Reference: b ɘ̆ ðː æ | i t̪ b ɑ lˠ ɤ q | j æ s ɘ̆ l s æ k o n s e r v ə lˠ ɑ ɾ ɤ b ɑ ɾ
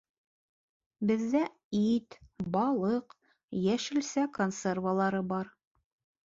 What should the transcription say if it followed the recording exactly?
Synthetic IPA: b ɘ̆ ðː æ | i t̪ b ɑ lˠ ɤ q | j æ ʃ ɘ̆ l s æ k o n s e r v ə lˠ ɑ ɾ ɤ b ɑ ɾ